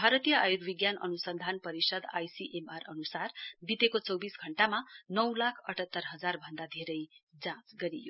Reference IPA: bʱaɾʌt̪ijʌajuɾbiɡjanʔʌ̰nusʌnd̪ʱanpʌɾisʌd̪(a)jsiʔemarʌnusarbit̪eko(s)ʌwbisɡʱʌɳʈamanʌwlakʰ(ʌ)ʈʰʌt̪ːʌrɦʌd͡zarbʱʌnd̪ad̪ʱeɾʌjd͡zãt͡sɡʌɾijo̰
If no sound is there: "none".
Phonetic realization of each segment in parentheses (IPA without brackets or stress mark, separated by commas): a, t͡s, ʌ